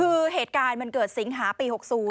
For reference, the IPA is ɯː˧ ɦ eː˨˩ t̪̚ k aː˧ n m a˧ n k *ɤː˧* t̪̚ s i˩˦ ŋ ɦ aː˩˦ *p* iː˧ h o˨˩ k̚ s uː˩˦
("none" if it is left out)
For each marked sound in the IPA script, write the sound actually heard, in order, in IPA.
ɤː˨˩, p

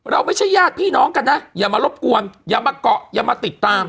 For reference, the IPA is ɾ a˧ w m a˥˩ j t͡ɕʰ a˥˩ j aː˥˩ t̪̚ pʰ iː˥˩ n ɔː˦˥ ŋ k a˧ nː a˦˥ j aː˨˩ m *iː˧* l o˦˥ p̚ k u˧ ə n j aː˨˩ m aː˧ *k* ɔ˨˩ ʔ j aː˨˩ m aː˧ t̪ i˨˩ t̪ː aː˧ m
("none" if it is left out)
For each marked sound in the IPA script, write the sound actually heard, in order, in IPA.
aː˧, k

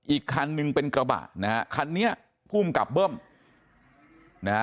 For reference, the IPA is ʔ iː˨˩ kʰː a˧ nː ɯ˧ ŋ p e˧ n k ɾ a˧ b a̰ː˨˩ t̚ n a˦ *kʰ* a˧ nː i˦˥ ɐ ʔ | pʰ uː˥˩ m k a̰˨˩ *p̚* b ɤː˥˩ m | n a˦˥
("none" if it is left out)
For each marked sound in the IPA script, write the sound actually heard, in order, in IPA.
kʰ, p̚

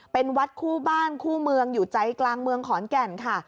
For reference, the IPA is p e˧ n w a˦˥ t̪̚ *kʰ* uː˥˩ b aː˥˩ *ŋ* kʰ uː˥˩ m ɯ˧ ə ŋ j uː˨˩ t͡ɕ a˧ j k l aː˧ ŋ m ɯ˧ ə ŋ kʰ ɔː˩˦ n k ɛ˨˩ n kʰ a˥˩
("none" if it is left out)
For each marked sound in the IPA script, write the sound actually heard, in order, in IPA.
kʰ, n

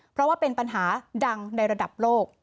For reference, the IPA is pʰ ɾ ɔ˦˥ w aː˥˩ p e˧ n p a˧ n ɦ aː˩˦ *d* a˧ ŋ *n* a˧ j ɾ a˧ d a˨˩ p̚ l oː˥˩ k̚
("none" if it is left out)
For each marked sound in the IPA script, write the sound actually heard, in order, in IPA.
d, n

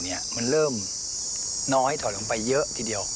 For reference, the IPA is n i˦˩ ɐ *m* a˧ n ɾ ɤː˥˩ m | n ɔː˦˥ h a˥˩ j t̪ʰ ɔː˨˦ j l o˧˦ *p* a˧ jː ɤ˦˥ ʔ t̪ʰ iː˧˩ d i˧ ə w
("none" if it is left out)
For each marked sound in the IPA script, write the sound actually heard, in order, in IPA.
m, p

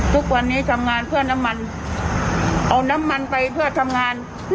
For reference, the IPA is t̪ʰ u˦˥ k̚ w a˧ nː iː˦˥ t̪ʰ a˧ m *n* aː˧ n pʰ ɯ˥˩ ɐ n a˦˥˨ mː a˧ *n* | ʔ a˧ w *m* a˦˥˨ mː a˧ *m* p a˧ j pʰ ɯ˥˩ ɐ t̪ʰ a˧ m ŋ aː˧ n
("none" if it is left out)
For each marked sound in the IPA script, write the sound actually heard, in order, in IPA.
ŋ, n, n, n

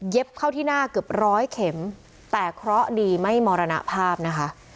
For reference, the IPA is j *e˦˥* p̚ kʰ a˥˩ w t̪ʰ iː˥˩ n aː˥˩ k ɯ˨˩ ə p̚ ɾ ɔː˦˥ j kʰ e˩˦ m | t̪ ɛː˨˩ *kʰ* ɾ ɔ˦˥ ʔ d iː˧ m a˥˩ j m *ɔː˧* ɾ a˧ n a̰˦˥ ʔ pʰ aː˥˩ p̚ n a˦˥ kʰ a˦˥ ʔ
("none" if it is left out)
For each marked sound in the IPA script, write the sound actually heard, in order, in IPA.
e˦˥, kʰ, ɔː˧

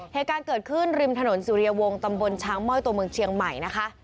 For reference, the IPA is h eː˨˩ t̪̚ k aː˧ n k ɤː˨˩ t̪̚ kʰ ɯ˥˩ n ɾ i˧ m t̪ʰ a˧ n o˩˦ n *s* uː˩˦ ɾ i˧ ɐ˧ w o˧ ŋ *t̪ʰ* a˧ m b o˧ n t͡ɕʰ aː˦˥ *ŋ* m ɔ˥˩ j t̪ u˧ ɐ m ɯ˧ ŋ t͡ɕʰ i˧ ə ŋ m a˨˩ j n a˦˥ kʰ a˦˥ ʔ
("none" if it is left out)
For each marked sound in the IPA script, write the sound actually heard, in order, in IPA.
s, t̪, ŋ

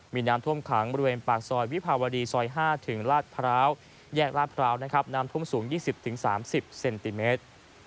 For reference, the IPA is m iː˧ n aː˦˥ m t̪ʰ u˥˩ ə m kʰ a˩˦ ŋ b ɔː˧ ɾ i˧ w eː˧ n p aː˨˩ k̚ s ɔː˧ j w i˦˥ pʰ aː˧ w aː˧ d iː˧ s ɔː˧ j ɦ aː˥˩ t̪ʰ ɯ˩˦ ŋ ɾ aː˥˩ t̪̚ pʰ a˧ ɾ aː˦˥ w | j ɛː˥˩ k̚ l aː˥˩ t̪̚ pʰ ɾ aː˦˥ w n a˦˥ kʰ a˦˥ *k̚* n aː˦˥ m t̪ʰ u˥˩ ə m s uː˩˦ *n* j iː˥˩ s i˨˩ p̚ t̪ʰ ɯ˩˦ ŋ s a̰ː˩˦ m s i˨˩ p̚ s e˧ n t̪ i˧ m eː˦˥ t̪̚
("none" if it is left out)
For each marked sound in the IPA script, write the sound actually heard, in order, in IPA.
p̚, ŋ

